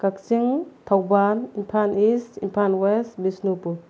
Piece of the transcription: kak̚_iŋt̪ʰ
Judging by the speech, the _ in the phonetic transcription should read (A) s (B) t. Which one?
A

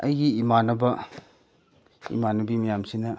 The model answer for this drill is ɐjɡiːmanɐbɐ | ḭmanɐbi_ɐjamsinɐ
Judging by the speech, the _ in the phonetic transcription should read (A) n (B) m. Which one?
B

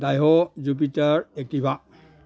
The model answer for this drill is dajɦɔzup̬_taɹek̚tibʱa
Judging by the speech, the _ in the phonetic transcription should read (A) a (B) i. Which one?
B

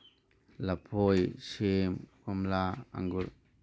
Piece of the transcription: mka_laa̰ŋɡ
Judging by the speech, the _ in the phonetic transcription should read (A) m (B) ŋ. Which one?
A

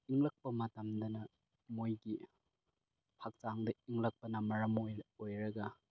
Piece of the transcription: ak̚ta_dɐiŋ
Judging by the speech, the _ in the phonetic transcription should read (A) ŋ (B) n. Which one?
A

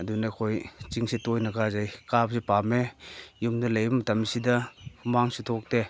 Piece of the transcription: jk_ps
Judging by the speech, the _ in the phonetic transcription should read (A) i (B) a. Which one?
B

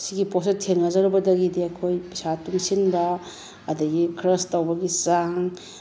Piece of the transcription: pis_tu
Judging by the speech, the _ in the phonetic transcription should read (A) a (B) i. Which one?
A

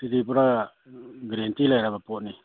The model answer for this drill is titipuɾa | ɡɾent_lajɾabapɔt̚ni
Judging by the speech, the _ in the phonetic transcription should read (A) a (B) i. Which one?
B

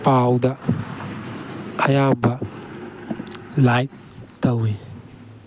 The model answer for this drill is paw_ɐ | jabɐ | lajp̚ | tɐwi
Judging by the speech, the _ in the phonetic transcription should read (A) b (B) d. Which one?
B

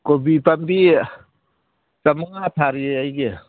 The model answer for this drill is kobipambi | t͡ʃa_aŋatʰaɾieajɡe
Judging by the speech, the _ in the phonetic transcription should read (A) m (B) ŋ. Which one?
A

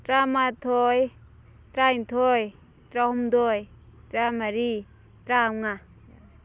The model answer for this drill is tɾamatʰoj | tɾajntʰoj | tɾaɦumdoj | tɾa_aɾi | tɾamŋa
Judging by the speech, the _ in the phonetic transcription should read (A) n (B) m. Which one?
B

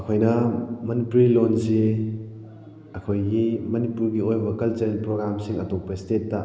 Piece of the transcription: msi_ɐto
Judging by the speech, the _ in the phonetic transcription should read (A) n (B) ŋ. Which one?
B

